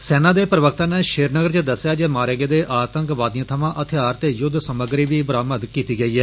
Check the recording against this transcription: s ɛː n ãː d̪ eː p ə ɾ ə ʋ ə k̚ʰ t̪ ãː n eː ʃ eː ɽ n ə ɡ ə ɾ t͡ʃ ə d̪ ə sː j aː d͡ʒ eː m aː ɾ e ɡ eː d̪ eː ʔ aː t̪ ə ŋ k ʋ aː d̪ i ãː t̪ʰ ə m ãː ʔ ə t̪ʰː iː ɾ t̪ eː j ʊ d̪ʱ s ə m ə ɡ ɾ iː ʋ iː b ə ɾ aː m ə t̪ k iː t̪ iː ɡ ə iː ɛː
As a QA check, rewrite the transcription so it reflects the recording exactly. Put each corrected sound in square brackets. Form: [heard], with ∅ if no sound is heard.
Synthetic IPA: s ɛː n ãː d̪ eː p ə ɾ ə ʋ ə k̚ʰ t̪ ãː n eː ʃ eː [ɾ] n ə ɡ ə ɾ t͡ʃ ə d̪ ə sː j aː d͡ʒ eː m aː ɾ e ɡ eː d̪ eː ʔ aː t̪ ə ŋ k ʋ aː d̪ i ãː t̪ʰ ə m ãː ʔ ə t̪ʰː [aː] ɾ t̪ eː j ʊ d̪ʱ s ə m ə ɡ ɾ iː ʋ iː b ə ɾ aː m ə [d̪] k iː t̪ iː ɡ ə iː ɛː